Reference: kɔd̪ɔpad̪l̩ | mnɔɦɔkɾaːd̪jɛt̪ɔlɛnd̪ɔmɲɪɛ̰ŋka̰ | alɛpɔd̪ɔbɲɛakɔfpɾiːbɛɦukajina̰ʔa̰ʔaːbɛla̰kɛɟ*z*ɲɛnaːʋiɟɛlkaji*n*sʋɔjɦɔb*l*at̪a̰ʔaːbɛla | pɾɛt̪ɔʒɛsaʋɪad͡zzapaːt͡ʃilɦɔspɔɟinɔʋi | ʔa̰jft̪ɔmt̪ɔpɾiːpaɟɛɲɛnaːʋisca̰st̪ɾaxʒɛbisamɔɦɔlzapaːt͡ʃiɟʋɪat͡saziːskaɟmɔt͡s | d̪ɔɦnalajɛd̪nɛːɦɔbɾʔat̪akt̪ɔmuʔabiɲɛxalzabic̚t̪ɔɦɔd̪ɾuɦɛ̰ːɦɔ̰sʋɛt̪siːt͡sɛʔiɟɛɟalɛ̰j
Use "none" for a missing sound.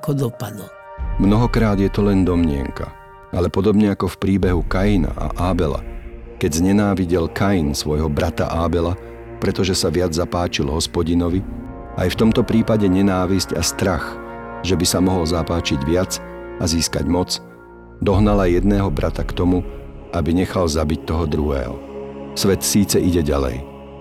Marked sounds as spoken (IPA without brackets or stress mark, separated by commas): z, n, ɾ